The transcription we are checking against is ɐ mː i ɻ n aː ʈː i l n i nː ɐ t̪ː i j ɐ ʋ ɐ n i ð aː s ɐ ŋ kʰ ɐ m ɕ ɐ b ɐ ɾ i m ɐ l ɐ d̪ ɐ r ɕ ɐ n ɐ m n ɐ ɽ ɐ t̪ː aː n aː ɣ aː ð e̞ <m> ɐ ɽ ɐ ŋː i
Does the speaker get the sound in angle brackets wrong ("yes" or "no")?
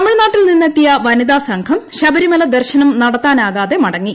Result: no